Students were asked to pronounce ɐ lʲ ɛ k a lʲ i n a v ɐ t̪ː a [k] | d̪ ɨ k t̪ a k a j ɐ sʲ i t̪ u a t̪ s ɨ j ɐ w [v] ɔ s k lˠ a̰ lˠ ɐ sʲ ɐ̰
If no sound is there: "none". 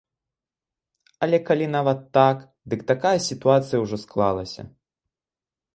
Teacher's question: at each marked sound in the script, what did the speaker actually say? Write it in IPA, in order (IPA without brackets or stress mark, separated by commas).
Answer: k, ʐ